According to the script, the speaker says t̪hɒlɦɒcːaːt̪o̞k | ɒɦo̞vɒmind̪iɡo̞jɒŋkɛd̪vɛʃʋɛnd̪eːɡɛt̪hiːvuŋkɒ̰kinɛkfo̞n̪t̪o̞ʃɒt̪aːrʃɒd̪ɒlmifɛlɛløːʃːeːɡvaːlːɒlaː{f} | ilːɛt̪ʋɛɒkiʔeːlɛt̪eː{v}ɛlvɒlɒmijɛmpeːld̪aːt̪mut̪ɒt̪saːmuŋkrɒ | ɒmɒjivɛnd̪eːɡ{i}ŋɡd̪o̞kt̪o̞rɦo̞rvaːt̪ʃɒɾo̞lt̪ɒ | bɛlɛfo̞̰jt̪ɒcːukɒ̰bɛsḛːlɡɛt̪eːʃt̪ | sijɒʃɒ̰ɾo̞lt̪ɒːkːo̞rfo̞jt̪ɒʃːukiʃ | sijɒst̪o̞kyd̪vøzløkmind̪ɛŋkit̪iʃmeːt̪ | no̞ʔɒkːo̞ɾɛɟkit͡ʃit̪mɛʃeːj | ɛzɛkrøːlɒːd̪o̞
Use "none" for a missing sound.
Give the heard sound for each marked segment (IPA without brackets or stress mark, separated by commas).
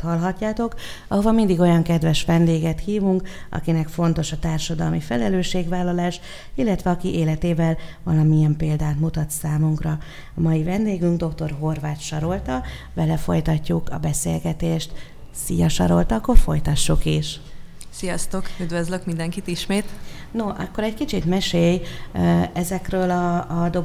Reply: ʃ, v, y